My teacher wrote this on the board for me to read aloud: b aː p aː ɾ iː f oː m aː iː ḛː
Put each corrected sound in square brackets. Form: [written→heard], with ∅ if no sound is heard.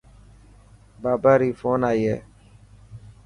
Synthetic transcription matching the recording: b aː [p→b] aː ɾ iː f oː [m→n] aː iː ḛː